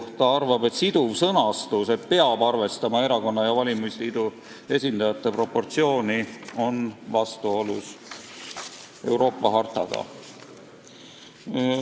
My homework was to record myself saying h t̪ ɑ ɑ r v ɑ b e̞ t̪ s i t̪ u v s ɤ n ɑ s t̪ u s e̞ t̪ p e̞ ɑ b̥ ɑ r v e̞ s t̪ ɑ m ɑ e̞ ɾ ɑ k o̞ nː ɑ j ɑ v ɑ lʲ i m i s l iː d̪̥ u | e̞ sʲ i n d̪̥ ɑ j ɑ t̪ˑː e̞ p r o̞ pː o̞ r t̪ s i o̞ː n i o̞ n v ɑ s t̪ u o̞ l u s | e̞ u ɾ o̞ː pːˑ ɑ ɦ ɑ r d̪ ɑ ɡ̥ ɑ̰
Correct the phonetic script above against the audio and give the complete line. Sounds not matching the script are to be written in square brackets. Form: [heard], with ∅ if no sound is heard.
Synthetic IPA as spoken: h t̪ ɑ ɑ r v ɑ b e̞ t̪ s i [d̪] u v s ɤ n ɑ s t̪ u s e̞ t̪ p e̞ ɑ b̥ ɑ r v e̞ s t̪ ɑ m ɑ e̞ ɾ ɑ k o̞ nː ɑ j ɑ v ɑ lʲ i m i s l iː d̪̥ u | e̞ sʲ i n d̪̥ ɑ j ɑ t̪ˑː e̞ p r o̞ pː o̞ r t̪ s i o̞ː n i o̞ n v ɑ s t̪ u o̞ l u s | e̞ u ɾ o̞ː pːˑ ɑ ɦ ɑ r [t̪] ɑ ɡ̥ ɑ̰

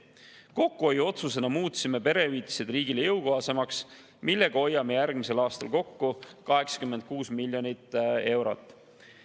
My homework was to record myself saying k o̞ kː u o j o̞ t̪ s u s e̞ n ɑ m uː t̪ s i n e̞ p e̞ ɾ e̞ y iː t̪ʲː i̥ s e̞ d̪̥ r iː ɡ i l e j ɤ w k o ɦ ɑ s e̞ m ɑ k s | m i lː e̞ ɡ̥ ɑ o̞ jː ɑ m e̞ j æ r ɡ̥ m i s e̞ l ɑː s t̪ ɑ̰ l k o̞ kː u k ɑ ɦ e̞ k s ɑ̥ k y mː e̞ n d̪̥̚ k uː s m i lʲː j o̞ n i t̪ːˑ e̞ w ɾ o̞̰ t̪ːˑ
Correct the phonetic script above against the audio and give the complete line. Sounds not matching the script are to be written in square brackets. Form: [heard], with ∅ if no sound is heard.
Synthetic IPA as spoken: k o̞ kː u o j o̞ t̪ s u s e̞ n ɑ m uː t̪ s i [m] e̞ p e̞ ɾ e̞ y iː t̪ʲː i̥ s e̞ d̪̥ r iː ɡ i l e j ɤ w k o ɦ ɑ s e̞ m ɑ k s | m i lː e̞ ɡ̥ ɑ o̞ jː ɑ m e̞ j æ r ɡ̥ m i s e̞ l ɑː s t̪ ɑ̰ l k o̞ kː u k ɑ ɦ e̞ k s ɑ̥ k y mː e̞ n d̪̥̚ k uː s m i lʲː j o̞ n i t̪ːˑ e̞ w ɾ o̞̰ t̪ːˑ

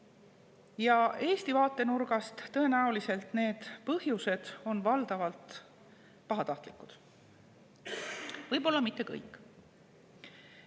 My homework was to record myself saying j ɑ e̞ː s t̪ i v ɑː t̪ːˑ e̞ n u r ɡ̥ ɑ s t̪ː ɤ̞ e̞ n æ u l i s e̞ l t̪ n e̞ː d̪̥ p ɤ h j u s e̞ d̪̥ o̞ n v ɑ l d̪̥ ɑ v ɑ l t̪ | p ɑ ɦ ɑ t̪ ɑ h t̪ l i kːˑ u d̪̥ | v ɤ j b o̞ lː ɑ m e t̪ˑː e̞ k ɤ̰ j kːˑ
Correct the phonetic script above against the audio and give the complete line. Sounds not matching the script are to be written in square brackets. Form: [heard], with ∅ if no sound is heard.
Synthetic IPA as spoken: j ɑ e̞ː s t̪ i v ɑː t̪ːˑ e̞ n u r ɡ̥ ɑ s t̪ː ɤ̞ e̞ n æ u l i s e̞ l t̪ n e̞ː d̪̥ p ɤ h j u s e̞ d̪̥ o̞ n v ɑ l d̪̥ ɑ v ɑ l t̪ | p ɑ ɦ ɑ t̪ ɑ h t̪ l i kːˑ u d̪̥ | v ɤ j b o̞ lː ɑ m [i] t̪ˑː e̞ k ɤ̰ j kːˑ

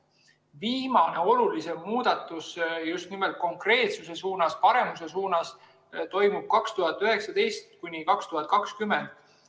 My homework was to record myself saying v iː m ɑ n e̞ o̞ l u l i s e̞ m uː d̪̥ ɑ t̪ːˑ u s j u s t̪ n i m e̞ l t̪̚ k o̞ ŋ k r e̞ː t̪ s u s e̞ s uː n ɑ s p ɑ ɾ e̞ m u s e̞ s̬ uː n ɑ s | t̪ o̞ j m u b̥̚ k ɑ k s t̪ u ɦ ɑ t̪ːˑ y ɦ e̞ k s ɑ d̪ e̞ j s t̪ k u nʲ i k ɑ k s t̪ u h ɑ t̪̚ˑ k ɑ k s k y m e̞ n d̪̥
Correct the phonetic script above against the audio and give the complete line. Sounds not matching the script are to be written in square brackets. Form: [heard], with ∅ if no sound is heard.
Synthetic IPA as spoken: v iː m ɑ n e̞ o̞ l u l i s e̞ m uː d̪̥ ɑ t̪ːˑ u s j u s t̪ n i m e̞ l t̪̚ k o̞ ŋ k r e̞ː t̪ s u s e̞ s uː n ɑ s p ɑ ɾ e̞ m u s e̞ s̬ uː n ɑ s | t̪ o̞ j m u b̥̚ k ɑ k s t̪ u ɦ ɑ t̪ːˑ y ɦ e̞ k s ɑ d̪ e̞ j s t̪ k u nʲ i k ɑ k s t̪ u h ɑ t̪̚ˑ k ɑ k s k y m e̞ n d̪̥

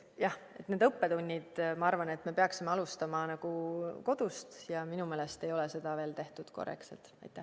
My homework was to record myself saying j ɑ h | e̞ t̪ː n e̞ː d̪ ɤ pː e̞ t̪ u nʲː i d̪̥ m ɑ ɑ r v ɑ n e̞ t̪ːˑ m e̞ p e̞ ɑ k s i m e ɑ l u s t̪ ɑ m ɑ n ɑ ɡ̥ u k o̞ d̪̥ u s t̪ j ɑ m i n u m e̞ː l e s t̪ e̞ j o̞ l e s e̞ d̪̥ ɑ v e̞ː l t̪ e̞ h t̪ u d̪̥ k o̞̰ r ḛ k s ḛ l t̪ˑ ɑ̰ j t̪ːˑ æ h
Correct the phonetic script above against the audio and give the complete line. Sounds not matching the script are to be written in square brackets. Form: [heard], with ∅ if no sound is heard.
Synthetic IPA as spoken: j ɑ h | e̞ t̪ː n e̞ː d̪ ɤ pː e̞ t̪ u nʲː i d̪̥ m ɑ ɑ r v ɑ n e̞ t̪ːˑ m e̞ p e̞ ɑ k s i m e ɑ l u s t̪ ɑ m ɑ n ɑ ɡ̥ u k o̞ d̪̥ u s t̪ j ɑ m i n u m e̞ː l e s t̪ e̞ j o̞ l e s e̞ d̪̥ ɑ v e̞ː l t̪ e̞ h t̪ u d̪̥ k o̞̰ r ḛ k s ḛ l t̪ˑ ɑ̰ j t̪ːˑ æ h

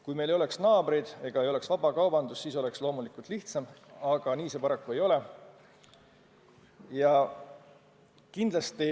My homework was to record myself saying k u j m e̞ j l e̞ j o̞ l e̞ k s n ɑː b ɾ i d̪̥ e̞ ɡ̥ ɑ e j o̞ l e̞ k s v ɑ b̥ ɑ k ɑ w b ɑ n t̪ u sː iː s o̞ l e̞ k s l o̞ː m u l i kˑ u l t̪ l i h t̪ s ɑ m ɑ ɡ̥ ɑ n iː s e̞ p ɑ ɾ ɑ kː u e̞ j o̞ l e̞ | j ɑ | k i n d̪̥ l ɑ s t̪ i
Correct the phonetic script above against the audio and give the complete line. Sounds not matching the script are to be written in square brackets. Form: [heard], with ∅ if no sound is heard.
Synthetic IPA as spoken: k u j m e̞ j l e̞ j o̞ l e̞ k s n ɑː b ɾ i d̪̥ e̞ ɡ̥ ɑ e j o̞ l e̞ k s v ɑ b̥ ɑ k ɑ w b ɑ n [d̪] u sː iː s o̞ l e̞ k s l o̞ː m u l i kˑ u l t̪ l i h t̪ s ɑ m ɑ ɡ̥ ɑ n iː s e̞ p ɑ ɾ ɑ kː u e̞ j o̞ l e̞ | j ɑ | k i n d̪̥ l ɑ s t̪ i

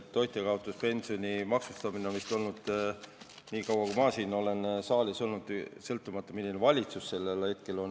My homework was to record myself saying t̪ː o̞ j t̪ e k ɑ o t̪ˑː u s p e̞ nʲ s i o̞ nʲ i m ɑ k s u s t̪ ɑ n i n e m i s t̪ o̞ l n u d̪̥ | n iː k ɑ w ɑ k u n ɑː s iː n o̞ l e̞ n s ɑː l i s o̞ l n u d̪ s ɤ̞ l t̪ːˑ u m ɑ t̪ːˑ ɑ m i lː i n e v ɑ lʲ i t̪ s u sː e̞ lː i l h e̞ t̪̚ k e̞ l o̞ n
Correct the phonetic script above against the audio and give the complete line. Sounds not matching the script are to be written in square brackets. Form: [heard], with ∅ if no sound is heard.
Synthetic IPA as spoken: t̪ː o̞ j t̪ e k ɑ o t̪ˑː u s p e̞ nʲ s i o̞ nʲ i m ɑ k s u s t̪ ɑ [m] i n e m i s t̪ o̞ l n u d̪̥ | n iː k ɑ w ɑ k u [m] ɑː s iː n o̞ l e̞ n s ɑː l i s o̞ l n u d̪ s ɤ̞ l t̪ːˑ u m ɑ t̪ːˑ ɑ m i lː i n e v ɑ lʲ i t̪ s u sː e̞ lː [e] l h e̞ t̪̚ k e̞ l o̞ n

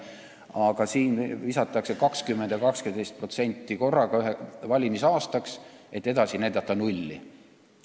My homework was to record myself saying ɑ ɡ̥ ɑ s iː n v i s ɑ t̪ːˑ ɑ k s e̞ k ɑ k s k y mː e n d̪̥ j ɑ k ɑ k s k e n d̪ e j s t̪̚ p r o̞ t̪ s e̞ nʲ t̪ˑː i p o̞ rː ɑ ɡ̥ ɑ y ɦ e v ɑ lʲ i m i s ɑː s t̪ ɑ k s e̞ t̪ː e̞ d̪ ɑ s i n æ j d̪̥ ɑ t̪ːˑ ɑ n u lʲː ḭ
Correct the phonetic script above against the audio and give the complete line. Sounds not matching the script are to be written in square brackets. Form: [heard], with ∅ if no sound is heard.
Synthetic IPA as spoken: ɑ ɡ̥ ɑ s iː n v i s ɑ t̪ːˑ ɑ k s e̞ k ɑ k s k y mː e n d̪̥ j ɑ k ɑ k s k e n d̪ e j s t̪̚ p r o̞ t̪ s e̞ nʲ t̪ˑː i [k] o̞ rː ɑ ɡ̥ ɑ y ɦ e v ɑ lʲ i m i s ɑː s t̪ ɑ k s e̞ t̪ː e̞ d̪ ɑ s i n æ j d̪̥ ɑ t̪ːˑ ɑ n u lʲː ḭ

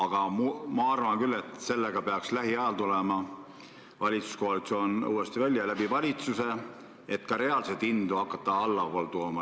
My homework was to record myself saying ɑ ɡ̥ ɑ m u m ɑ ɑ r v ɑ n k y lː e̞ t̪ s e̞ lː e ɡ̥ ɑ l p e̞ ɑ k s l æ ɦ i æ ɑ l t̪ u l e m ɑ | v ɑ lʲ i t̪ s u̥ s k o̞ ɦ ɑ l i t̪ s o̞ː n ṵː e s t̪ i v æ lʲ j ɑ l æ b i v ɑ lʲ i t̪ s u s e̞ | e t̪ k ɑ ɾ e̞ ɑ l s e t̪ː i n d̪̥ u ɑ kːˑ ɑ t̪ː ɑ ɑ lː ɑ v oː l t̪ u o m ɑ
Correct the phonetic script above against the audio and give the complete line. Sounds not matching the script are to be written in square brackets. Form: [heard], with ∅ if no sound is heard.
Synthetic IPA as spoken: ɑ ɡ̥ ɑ m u m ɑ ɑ r v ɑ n k y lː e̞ t̪ s e̞ lː e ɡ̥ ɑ [∅] p e̞ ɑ k s l æ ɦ i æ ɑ l t̪ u l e m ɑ | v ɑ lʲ i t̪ s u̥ s k o̞ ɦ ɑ l i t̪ s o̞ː n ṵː e s t̪ i v æ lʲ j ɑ l æ b i v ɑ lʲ i t̪ s u s e̞ | e t̪ k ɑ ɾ e̞ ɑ l s e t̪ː i n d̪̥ u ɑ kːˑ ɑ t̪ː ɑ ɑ lː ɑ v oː l t̪ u o m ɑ

